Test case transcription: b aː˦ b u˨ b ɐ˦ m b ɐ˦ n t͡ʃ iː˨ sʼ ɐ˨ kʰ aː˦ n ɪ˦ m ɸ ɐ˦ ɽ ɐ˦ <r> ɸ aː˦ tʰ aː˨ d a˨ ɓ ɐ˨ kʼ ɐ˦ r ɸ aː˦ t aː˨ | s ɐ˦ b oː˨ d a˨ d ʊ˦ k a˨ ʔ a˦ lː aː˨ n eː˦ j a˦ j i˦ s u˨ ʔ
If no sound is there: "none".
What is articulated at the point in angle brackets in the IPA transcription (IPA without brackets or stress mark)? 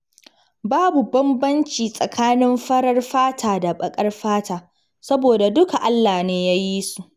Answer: r